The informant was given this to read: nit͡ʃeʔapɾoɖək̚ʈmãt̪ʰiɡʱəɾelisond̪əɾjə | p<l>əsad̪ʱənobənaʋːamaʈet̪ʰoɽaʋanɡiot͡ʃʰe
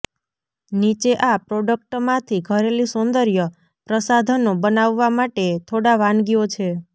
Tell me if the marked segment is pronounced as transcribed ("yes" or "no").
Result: no